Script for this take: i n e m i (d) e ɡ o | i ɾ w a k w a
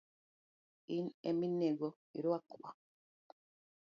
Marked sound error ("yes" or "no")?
yes